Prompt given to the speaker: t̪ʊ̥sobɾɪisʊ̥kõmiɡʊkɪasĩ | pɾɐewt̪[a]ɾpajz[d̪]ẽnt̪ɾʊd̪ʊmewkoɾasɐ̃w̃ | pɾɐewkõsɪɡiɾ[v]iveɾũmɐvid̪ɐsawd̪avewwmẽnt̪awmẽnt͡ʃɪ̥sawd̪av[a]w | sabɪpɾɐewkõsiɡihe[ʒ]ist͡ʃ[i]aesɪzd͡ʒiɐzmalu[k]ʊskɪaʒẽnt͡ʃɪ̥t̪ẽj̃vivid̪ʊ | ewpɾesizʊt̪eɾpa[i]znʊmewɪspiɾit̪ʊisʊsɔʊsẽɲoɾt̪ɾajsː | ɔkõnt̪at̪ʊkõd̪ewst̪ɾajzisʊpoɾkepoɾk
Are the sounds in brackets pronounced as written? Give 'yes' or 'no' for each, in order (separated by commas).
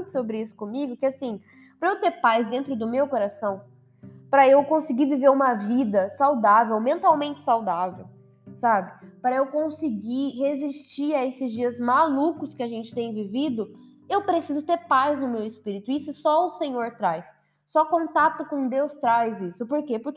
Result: no, yes, yes, no, no, yes, yes, no